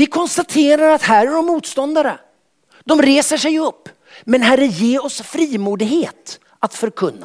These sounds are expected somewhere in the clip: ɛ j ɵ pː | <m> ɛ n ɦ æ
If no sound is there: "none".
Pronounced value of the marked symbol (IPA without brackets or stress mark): m